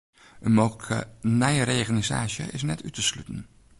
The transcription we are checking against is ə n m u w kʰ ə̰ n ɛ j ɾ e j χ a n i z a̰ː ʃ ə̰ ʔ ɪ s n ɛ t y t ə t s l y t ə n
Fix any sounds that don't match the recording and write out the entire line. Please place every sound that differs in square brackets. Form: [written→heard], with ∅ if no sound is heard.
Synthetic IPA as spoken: ə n m [u→o] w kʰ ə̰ n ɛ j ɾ e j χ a n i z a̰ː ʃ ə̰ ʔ ɪ s n ɛ t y t ə [t→∅] s l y t ə n